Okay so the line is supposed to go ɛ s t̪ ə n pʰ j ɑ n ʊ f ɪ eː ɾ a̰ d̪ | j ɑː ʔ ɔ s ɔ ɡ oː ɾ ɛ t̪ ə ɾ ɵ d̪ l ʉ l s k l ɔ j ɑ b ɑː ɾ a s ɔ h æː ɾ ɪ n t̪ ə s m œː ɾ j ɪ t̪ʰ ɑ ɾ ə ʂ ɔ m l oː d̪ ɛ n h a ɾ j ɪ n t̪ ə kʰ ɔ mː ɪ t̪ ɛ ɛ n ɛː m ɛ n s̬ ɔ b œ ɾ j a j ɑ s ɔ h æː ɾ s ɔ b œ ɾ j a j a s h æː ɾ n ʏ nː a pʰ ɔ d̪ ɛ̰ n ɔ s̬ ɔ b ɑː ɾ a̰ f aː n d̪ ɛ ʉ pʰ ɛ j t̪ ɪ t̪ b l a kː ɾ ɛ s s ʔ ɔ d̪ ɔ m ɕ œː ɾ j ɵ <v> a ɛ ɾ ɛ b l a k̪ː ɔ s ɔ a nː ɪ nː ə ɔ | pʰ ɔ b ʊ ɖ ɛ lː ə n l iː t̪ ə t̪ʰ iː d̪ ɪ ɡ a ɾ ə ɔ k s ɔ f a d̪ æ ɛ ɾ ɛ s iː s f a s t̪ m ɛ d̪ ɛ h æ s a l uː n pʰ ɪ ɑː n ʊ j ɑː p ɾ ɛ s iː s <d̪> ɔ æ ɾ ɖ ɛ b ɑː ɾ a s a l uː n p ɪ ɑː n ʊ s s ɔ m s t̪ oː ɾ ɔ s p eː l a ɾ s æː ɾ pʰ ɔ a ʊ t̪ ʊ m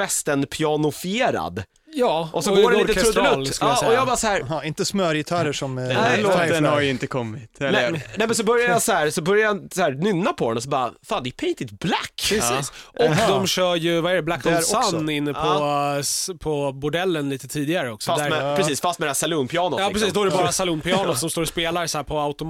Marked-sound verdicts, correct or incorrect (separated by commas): correct, correct